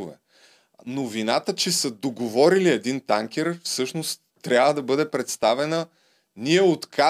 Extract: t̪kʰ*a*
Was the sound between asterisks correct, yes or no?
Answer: yes